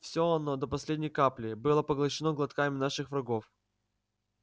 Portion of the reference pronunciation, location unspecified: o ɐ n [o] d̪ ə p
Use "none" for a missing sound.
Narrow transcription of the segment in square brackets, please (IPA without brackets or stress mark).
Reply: o